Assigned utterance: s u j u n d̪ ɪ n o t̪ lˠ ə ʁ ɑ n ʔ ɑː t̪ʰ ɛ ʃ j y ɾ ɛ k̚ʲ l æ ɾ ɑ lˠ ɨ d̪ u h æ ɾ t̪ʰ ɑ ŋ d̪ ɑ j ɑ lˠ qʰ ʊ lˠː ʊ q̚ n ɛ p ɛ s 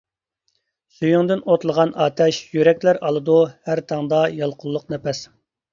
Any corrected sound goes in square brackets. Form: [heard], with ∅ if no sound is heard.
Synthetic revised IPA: s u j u [ŋ] d̪ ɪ n o t̪ lˠ ə ʁ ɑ n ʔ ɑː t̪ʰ ɛ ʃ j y ɾ ɛ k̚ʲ l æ ɾ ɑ lˠ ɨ d̪ u h æ ɾ t̪ʰ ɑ ŋ d̪ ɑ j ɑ lˠ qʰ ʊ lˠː ʊ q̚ n ɛ p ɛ s